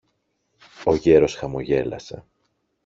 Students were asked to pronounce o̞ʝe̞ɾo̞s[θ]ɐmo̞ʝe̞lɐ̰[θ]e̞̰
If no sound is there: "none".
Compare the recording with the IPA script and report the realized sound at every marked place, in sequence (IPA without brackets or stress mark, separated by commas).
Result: x, s